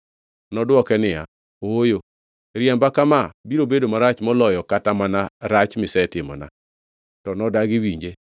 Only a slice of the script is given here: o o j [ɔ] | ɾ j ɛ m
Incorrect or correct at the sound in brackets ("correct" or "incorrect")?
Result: incorrect